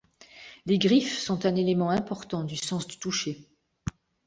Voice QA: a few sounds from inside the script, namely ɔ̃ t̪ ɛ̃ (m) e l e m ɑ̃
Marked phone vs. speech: incorrect: n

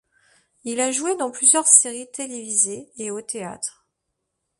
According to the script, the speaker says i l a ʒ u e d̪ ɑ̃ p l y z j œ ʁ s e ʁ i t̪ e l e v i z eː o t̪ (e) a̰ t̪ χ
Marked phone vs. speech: correct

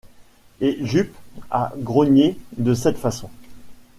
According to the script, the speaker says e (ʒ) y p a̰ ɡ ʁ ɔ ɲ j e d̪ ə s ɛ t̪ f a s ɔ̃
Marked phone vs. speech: correct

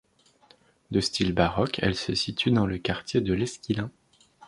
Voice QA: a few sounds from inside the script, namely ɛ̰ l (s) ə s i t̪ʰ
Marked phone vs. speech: correct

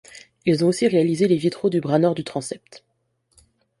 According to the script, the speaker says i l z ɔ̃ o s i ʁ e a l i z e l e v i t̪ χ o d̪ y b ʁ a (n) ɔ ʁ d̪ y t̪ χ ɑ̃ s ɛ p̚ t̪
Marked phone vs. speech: correct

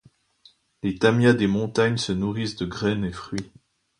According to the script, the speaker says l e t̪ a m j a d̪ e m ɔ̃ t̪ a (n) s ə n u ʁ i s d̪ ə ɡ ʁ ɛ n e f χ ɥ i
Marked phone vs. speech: incorrect: ɲ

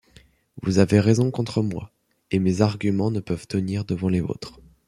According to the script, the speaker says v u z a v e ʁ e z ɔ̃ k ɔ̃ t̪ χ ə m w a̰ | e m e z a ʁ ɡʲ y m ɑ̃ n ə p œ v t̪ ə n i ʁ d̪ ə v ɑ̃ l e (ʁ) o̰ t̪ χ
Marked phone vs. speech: incorrect: v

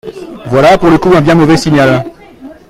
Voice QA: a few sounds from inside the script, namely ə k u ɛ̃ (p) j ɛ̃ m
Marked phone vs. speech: incorrect: b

